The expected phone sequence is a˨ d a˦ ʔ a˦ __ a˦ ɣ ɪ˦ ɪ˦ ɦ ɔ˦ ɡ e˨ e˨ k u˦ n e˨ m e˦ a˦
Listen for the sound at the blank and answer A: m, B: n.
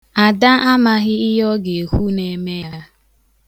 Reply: A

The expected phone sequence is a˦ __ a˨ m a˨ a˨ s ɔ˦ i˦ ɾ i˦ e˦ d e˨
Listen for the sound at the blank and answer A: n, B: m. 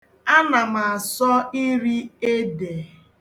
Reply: A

